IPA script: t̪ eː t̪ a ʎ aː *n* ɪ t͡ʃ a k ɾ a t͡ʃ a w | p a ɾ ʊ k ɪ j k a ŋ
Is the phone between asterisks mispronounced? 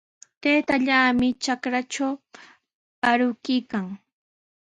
yes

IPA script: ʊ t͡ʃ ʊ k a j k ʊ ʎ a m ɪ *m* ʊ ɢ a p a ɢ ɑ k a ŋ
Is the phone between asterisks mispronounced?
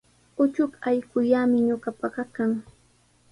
yes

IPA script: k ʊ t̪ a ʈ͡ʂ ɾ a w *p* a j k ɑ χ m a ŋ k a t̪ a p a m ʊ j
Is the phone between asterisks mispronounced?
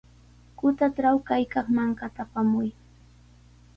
yes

